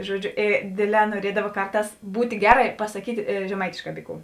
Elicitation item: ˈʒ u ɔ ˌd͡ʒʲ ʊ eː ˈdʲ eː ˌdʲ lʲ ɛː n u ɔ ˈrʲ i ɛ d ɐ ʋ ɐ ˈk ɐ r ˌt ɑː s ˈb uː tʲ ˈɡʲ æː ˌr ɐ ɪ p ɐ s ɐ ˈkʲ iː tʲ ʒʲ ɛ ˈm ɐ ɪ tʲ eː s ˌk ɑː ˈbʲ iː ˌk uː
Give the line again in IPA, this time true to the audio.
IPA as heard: ˈʒ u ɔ ˌd͡ʒʲ ʊ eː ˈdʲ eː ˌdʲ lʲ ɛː n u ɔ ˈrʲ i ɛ d ɐ ʋ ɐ ˈk ɐ r ˌt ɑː s ˈb uː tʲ ˈɡʲ æː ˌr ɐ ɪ p ɐ s ɐ ˈkʲ iː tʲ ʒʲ ɛ ˈm ɐ ɪ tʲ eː ʃ ˌk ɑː ˈbʲ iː ˌk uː

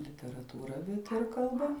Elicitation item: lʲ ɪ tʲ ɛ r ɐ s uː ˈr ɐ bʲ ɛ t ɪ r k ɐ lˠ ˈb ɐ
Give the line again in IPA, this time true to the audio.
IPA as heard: lʲ ɪ tʲ ɛ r ɐ t uː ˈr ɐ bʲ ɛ t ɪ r k ɐ lˠ ˈb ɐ

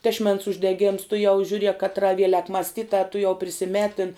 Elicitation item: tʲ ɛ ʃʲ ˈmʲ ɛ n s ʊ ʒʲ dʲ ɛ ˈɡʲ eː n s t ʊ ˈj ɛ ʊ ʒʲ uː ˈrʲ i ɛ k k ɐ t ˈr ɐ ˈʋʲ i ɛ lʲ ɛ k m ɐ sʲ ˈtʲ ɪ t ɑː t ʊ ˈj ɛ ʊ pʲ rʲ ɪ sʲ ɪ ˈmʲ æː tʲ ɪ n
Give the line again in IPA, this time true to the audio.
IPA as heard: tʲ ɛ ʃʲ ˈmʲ ɛ n s ʊ ʒʲ dʲ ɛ ˈɡʲ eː m s t ʊ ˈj ɛ ʊ ʒʲ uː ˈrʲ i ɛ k k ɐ t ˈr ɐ ˈʋʲ i ɛ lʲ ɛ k m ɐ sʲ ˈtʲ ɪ t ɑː t ʊ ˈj ɛ ʊ pʲ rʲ ɪ sʲ ɪ ˈmʲ æː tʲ ɪ n

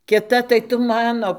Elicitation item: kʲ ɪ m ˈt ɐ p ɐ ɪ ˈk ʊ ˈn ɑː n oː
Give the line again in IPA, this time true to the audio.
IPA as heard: kʲ ɪ ˈt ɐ t ɐ ɪ ˈt ʊ ˈm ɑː n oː

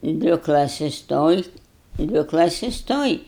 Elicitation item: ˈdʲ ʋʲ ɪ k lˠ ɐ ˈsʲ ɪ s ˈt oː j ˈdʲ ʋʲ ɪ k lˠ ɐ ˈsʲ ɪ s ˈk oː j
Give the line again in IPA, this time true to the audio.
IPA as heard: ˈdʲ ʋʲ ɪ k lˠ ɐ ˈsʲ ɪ s ˈt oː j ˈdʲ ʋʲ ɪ k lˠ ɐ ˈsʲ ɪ s ˈt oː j

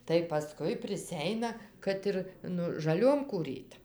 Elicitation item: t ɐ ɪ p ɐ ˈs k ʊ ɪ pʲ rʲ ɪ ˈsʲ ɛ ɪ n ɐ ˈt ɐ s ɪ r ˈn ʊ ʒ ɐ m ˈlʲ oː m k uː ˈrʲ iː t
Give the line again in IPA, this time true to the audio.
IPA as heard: t ɐ ɪ p ɐ ˈs k ʊ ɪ pʲ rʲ ɪ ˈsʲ ɛ ɪ n ɐ ˈk ɐ t ɪ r ˈn ʊ ʒ ɐ ˈlʲ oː m k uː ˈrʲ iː t

